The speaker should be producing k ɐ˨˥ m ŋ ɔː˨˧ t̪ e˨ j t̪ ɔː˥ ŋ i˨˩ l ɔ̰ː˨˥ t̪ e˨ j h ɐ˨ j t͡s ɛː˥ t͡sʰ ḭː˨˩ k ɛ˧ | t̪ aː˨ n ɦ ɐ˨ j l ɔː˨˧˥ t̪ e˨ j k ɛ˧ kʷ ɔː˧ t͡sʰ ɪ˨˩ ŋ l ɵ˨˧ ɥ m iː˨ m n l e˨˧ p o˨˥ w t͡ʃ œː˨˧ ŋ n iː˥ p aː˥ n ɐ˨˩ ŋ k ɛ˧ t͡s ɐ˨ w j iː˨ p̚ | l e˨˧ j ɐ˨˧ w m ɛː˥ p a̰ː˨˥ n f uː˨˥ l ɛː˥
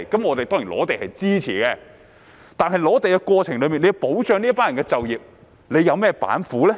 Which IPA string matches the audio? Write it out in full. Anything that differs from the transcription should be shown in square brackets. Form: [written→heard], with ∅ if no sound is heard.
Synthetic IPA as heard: k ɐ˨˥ m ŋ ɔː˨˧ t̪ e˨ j t̪ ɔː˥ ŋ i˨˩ l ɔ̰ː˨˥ t̪ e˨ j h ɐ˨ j t͡s [ɛː˥→iː˥] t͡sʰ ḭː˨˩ k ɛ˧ | t̪ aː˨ n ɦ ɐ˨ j l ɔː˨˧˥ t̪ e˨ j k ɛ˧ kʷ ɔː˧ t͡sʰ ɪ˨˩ ŋ l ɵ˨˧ ɥ m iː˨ [m→∅] n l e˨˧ p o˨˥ w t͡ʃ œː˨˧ ŋ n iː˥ p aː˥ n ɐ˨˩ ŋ k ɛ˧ t͡s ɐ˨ w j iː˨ p̚ | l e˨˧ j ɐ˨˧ w m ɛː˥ p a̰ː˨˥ n f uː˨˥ l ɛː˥